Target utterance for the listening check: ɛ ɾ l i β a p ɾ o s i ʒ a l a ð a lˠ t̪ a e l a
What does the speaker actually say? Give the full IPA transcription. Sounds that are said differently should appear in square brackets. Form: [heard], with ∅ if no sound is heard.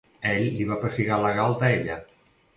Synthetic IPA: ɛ [ʎ] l i β a p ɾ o s i [ɣ] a l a [ɣ] a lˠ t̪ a e [ʎ] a